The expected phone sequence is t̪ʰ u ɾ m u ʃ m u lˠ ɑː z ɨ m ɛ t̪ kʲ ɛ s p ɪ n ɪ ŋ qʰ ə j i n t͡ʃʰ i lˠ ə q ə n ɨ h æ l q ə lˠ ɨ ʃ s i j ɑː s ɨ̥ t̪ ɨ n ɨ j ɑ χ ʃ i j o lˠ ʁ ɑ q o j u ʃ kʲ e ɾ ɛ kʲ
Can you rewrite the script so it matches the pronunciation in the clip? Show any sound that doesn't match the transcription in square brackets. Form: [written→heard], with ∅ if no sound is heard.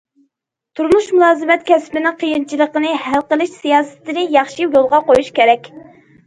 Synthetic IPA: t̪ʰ u ɾ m u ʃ m u lˠ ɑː z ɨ m ɛ t̪ kʲ ɛ s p ɪ n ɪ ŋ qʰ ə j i n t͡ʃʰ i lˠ ə q ə n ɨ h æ l q ə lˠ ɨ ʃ s i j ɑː s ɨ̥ t̪ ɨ n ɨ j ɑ χ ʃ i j o lˠ ʁ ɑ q o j u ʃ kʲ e ɾ ɛ kʲ